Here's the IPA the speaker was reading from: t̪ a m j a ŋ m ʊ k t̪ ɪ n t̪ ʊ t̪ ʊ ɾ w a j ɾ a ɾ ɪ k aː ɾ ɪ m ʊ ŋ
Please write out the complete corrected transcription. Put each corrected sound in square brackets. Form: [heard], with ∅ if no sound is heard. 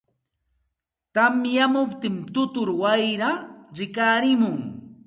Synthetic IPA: t̪ a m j a [∅] m ʊ [p] t̪ ɪ [m] t̪ ʊ t̪ ʊ ɾ w a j ɾ a ɾ ɪ k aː ɾ ɪ m ʊ ŋ